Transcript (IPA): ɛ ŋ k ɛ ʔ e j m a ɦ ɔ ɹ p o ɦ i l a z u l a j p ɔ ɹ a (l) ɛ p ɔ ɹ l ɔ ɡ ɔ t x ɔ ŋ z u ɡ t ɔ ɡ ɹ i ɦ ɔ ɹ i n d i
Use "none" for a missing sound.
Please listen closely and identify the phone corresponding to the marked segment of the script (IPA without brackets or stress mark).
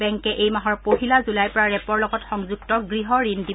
ɹ